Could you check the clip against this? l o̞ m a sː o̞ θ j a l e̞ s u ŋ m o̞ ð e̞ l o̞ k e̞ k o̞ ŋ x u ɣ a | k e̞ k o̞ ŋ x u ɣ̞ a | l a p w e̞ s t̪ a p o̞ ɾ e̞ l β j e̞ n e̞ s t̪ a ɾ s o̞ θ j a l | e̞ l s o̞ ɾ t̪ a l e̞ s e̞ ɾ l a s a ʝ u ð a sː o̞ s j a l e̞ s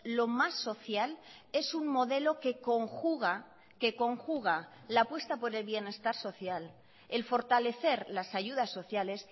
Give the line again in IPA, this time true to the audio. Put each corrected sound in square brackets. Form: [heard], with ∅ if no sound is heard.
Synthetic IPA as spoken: l o̞ m a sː o̞ θ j a l e̞ s u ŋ m o̞ ð e̞ l o̞ k e̞ k o̞ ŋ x u ɣ a | k e̞ k o̞ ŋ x u ɣ̞ a | l a p w e̞ s t̪ a p o̞ ɾ e̞ l β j e̞ n e̞ s t̪ a ɾ s o̞ θ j a l | e̞ l [f] o̞ ɾ t̪ a l e̞ [θ] e̞ ɾ l a s a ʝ u ð a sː o̞ [θ] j a l e̞ s

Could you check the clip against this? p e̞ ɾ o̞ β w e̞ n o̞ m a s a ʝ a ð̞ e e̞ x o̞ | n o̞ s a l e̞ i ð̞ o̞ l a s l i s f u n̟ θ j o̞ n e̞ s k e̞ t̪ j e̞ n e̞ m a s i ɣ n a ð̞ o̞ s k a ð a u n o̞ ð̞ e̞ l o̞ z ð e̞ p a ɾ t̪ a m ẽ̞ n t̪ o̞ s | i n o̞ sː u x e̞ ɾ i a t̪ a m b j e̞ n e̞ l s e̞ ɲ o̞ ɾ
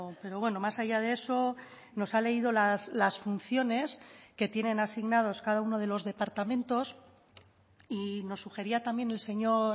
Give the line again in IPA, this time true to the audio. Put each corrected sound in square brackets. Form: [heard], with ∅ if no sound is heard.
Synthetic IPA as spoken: p e̞ ɾ o̞ β w e̞ n o̞ m a s a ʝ a ð̞ e e̞ [s] o̞ | n o̞ s a l e̞ i ð̞ o̞ l a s l [a] s f u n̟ θ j o̞ n e̞ s k e̞ t̪ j e̞ n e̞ [n] a s i ɣ n a ð̞ o̞ s k a ð a u n o̞ ð̞ e̞ l o̞ z ð e̞ p a ɾ t̪ a m ẽ̞ n t̪ o̞ s | i n o̞ sː u x e̞ ɾ i a t̪ a m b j e̞ n e̞ l s e̞ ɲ o̞ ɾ

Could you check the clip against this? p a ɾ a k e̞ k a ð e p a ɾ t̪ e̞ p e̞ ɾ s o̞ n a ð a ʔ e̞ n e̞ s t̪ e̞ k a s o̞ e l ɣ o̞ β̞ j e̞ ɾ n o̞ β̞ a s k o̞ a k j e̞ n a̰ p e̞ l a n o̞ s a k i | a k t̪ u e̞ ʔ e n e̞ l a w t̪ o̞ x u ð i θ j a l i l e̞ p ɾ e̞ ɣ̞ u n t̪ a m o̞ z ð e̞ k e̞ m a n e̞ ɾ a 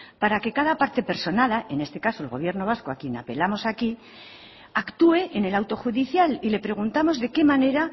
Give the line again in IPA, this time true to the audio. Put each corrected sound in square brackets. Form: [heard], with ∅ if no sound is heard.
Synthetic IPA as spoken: p a ɾ a k e̞ k a ð [a] p a ɾ t̪ e̞ p e̞ ɾ s o̞ n a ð a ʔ e̞ n e̞ s t̪ e̞ k a s o̞ e l ɣ o̞ β̞ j e̞ ɾ n o̞ β̞ a s k o̞ a k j e̞ n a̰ p e̞ l a [m] o̞ s a k i | a k t̪ u e̞ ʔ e n e̞ l a w t̪ o̞ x u ð i θ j a l i l e̞ p ɾ e̞ ɣ̞ u n t̪ a m o̞ z ð e̞ k e̞ m a n e̞ ɾ a

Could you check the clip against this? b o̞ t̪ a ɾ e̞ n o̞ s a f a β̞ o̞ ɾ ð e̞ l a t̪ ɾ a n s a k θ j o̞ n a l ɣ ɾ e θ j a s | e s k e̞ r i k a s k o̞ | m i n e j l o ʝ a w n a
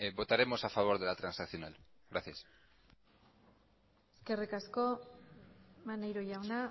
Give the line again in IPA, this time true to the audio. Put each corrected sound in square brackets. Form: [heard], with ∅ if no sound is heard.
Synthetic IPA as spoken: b o̞ t̪ a ɾ e̞ [m] o̞ s a f a β̞ o̞ ɾ ð e̞ l a t̪ ɾ a n s a k θ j o̞ n a l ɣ ɾ [a] θ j a s | e s k e̞ r i k a s k o̞ | m [a] n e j [ɾ] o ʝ a w n a

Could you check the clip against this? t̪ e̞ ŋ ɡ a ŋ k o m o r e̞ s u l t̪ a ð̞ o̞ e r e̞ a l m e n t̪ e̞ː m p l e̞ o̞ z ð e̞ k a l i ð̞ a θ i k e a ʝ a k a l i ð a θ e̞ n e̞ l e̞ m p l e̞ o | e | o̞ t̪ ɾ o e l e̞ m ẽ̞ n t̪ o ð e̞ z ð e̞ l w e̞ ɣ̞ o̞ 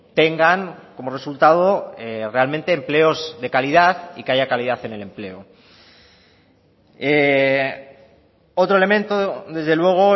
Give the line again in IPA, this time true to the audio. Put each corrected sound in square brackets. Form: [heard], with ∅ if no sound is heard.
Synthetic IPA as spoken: t̪ e̞ ŋ ɡ a ŋ k o m o r e̞ s u l t̪ a ð̞ o̞ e r e̞ a l m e n t̪ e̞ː m p l e̞ o̞ z ð e̞ k a l i ð̞ a θ i k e a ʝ a k a l i ð a θ e̞ n e̞ l e̞ m p l e̞ o | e | o̞ t̪ ɾ o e l e̞ m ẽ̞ n t̪ o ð e̞ z ð e̞ l w e̞ ɣ̞ o̞

